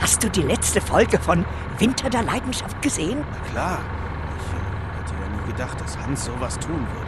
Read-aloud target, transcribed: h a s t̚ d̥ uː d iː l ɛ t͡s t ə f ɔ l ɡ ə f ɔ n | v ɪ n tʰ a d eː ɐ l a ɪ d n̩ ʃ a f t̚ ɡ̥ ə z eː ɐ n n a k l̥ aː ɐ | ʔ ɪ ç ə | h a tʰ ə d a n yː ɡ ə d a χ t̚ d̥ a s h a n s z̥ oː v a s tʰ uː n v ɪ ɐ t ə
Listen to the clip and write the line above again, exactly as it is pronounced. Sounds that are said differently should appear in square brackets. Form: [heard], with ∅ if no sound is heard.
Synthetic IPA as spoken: h a s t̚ d̥ uː d iː l ɛ t͡s t ə f ɔ l ɡ ə f ɔ n | v ɪ n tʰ [ɐ] d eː ɐ l a ɪ d n̩ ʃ a f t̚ ɡ̥ ə z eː [ə] n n a k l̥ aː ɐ | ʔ ɪ ç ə | h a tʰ ə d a n [iː] ɡ ə d a χ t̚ d̥ a s h a n s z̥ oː v a s tʰ uː n v ɪ ɐ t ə